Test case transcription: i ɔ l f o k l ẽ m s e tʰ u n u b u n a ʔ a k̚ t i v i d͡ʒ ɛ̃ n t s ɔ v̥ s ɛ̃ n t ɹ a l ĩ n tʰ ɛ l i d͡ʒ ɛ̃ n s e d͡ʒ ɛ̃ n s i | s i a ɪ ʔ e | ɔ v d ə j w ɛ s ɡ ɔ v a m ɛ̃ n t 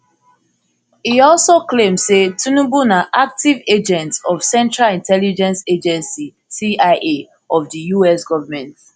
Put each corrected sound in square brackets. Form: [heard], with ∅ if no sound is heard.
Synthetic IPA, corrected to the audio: i ɔ l [s] o k l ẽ m s e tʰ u n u b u n a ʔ a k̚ t i v [e] d͡ʒ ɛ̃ n t s ɔ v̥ s ɛ̃ n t ɹ a l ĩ n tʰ ɛ l i d͡ʒ ɛ̃ n s e d͡ʒ ɛ̃ n s i | s i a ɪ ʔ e | ɔ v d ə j [u] ɛ s ɡ ɔ v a m ɛ̃ n t